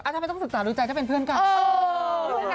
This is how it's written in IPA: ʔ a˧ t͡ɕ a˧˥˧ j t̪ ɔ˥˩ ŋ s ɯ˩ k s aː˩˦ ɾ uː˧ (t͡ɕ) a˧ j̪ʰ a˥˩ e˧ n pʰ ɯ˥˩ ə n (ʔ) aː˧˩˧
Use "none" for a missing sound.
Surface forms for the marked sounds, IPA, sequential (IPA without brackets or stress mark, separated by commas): t͡ɕ, k